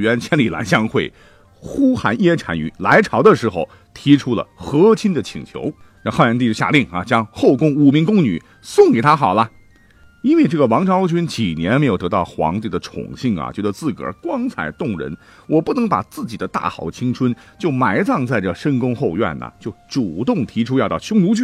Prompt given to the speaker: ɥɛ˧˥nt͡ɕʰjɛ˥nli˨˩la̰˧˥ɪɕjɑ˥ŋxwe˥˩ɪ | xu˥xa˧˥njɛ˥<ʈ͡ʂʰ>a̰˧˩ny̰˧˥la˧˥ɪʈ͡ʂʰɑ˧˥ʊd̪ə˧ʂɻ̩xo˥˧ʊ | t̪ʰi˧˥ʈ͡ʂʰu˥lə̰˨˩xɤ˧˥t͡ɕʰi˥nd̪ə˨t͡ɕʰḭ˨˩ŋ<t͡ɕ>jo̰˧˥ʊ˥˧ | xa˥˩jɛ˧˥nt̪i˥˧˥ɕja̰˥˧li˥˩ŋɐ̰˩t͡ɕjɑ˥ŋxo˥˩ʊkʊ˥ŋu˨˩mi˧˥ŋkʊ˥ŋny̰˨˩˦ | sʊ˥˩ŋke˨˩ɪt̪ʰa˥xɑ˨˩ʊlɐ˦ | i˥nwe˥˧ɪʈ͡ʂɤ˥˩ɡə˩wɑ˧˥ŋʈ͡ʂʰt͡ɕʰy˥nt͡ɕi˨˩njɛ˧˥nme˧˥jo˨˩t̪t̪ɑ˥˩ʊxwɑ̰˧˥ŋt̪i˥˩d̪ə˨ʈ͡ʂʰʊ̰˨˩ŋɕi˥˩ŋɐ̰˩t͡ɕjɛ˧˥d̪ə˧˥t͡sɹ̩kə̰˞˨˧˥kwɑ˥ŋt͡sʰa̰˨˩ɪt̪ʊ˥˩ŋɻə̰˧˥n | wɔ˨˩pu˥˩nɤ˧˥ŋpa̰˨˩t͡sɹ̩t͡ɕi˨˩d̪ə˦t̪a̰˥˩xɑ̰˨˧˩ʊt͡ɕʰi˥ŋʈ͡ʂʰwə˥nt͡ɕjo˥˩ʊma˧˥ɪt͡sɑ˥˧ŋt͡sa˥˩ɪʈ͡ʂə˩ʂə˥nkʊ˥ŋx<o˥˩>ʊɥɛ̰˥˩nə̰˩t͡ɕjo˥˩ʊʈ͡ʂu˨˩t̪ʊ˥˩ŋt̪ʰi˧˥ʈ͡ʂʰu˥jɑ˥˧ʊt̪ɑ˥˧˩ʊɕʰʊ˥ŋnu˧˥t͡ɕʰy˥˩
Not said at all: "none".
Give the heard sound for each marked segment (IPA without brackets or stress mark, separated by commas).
ʈ͡ʂʰ, t͡ɕʰ, o˥˧